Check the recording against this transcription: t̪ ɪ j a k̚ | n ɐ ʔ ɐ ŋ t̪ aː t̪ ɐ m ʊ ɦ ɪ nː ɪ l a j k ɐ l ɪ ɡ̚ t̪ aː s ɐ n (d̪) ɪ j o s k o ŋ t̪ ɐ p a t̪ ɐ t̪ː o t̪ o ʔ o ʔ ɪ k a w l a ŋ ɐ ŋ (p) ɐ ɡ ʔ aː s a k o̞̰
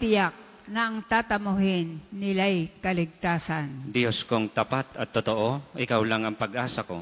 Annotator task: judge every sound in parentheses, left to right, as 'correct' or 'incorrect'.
correct, correct

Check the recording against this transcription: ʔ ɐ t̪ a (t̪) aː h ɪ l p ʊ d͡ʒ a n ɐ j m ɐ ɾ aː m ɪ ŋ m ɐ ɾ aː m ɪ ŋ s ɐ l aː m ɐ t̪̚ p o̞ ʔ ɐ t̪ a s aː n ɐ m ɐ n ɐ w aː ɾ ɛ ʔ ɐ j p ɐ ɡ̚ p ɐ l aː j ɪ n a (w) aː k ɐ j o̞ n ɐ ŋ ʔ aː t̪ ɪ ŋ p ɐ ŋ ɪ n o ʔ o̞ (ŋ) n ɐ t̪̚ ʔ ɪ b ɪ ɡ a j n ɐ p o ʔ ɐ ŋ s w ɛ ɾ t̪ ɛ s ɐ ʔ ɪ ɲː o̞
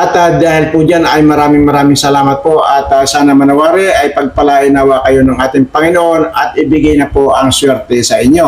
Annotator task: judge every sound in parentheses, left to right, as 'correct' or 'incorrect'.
incorrect: d̪, correct, incorrect: none

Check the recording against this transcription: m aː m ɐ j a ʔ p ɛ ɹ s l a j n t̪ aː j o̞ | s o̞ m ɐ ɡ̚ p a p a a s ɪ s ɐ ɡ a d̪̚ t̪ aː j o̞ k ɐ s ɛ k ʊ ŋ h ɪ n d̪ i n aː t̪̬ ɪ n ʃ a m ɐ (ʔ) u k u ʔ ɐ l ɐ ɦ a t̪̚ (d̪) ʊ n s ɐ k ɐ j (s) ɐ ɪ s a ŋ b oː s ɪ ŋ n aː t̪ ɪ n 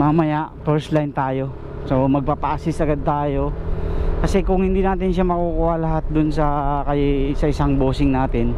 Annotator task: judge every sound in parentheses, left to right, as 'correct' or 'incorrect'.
incorrect: k, correct, correct

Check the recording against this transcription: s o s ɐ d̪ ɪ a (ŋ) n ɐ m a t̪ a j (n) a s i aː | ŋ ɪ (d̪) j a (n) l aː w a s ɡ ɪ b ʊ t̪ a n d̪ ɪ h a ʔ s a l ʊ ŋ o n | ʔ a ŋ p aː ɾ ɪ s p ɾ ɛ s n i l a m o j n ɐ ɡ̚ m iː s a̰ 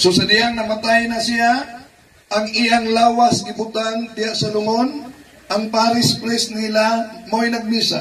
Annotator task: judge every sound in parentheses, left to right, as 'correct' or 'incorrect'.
correct, correct, incorrect: none, incorrect: ŋ

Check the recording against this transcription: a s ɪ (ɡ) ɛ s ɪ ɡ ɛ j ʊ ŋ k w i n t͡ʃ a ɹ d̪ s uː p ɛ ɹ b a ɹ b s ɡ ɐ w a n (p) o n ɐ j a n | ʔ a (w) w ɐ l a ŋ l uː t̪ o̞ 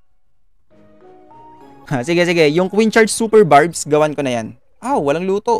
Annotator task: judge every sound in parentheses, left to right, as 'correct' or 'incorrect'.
correct, incorrect: k, correct

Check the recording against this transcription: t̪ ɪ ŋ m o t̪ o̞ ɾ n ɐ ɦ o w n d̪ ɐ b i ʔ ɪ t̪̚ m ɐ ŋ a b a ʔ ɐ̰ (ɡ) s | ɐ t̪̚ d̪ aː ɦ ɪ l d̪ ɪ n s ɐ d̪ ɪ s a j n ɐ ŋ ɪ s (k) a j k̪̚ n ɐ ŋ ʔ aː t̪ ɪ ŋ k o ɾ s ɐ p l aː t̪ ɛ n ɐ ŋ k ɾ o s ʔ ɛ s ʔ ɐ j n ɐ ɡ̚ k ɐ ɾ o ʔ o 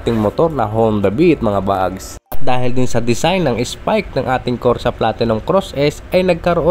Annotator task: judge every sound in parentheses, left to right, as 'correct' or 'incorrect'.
correct, incorrect: p

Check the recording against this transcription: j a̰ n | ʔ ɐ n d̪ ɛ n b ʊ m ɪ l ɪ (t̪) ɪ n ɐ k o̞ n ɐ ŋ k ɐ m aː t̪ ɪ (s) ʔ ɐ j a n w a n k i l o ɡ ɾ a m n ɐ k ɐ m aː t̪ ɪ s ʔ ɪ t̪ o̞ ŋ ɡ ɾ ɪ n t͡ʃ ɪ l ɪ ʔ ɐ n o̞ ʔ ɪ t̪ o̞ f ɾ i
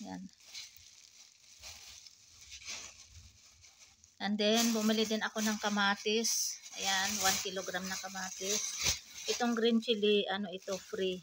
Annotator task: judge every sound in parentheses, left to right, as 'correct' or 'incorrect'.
incorrect: d̪, correct

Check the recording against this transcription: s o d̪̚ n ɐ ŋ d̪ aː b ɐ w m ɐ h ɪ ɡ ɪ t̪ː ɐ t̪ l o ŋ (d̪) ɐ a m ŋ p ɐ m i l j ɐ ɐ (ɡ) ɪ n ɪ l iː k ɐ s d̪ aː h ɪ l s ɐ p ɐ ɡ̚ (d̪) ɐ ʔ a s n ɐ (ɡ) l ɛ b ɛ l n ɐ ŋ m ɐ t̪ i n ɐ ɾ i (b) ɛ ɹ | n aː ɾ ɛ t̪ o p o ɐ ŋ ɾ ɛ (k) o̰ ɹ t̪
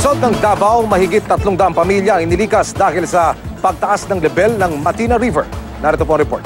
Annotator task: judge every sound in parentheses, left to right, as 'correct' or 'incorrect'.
correct, incorrect: ŋ, incorrect: t̪, incorrect: ŋ, incorrect: v, incorrect: p

